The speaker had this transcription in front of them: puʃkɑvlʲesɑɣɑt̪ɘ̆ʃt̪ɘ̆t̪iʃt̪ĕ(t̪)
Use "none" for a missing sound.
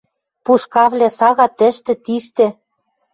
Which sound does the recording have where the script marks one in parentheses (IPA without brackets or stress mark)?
none